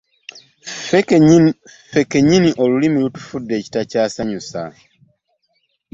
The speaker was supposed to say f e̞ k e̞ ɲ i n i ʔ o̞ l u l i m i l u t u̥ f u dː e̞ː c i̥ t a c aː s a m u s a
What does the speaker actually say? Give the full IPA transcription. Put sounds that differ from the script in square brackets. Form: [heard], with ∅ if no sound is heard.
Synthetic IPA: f e̞ k e̞ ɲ i n i ʔ o̞ l u l i m i l u t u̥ f u dː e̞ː c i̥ t a c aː s a [ɲ] u s a

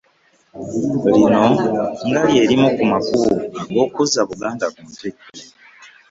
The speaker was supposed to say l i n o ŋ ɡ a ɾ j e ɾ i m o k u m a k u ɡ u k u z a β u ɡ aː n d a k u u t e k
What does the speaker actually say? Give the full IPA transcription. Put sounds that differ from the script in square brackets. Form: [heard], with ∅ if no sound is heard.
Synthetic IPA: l i n o ŋ ɡ a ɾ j e ɾ i m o k u m a k u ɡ [o] k u z a β u ɡ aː n d a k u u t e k

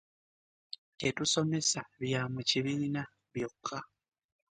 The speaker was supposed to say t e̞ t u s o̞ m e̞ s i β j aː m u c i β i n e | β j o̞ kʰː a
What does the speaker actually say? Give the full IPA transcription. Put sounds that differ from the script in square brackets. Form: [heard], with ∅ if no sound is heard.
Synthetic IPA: t e̞ t u s o̞ m e̞ s [a] β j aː m u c i β i n [a] | β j o̞ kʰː a

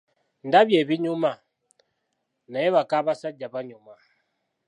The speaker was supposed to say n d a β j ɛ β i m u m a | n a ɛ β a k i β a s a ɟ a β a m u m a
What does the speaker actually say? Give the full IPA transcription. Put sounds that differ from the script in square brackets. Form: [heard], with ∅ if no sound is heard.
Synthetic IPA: n d a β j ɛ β i [ɲ] u m a | n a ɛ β a k [a] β a s a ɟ a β a [ɲ] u m a

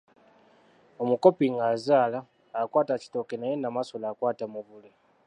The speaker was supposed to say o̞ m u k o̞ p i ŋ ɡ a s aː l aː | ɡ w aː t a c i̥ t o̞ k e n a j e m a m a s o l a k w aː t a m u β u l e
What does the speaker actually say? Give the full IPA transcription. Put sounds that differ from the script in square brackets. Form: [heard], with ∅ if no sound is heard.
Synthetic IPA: o̞ m u k o̞ p i ŋ ɡ a [z] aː l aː | [k] w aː t a c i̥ t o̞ k e n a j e [n] a m a s o l a k w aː t a m u β u l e

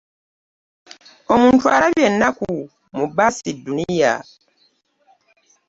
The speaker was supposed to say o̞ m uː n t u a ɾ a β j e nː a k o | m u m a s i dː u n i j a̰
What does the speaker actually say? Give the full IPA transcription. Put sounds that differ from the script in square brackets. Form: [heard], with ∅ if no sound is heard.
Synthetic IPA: o̞ m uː n t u a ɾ a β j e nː a k [u] | m u [b] a s i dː u n i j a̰

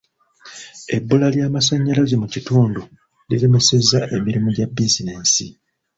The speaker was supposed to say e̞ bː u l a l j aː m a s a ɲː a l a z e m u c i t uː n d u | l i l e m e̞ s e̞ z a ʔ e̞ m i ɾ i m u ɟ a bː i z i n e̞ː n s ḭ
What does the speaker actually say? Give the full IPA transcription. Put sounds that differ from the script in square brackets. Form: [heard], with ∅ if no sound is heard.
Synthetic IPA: e̞ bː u l a l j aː m a s a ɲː a l a z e m u c i t uː n d u | l i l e m e̞ s e̞ z a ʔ e̞ m i ɾ i m u ɟ a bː i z i n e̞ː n s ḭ

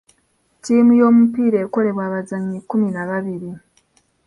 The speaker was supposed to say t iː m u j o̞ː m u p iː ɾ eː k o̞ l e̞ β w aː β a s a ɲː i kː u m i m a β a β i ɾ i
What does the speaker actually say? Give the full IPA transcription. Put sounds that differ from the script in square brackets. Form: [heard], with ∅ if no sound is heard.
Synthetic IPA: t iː m u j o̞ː m u p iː ɾ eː k o̞ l e̞ β w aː β a [z] a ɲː i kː u m i [n] a β a β i ɾ i

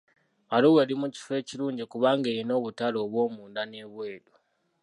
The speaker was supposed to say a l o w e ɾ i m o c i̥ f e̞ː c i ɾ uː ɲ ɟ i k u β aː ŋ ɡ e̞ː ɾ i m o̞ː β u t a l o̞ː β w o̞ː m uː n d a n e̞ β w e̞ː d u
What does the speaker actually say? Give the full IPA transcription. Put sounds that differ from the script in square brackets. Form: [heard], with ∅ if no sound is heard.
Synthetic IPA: a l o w e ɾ i m [u] c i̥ f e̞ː c i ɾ uː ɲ ɟ i k u β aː ŋ ɡ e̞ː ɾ i [n] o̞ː β u t a l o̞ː β w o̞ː m uː n d a n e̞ β w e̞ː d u

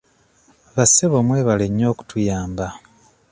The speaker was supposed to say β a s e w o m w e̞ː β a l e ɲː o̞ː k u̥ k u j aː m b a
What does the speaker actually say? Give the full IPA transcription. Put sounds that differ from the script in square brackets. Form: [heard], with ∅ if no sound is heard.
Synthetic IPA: β a s e [β] o m w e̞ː β a l e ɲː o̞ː k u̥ [t] u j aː m b a

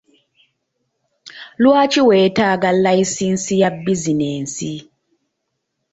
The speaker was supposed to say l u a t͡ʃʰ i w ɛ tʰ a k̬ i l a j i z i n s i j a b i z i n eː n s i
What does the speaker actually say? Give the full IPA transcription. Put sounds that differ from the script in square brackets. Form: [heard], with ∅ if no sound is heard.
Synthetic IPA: l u a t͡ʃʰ i w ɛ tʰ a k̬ [a] l a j i [s] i n s i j a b i z i n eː n s i

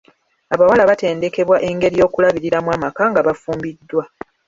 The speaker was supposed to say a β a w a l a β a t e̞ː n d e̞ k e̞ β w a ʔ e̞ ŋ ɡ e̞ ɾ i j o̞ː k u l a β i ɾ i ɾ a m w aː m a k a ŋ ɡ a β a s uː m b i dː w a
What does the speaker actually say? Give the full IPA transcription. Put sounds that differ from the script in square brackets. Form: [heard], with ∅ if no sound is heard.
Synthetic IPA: a β a w a l a β a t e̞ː n d e̞ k e̞ β w a ʔ e̞ ŋ ɡ e̞ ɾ i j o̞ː k u l a β i ɾ i ɾ a m w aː m a k a ŋ ɡ a β a [f] uː m b i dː w a

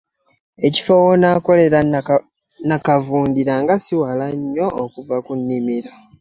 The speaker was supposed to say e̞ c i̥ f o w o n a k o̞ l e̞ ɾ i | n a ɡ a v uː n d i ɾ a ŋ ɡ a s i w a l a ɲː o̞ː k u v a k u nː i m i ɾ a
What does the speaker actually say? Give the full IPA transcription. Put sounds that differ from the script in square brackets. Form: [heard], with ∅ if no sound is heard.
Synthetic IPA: e̞ c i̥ f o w o n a k o̞ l e̞ ɾ [a] | n a [k] a v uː n d i ɾ a ŋ ɡ a s i w a l a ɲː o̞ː k u v a k u nː i m i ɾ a

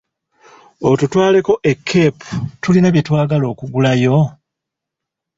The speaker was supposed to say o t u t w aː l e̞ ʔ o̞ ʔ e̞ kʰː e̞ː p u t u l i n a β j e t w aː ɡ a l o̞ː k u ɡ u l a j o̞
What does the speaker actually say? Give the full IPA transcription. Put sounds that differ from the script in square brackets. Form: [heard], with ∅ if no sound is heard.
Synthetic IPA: o t u t w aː l e̞ [k] o̞ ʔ e̞ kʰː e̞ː p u t u l i n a β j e t w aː ɡ a l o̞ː k u ɡ u l a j o̞

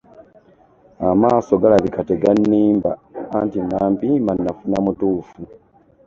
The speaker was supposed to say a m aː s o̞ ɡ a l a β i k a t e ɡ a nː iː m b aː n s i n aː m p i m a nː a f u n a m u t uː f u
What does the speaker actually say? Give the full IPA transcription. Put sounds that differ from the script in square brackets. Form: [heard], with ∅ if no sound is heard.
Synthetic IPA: a m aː s o̞ ɡ a l a β i k a t e ɡ a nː iː m b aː n [t] i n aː m p i m a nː a f u n a m u t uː f u

